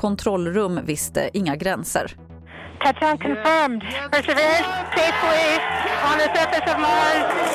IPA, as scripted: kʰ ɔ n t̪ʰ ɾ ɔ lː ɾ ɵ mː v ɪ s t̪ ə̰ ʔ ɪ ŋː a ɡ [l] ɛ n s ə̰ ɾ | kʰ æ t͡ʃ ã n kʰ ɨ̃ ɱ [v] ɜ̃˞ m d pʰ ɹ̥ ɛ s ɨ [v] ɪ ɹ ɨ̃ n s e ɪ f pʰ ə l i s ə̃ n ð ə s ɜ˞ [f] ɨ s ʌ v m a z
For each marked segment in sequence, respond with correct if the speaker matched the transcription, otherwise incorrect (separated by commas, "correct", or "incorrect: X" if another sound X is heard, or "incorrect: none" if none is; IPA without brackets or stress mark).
incorrect: ɾ, incorrect: f, correct, correct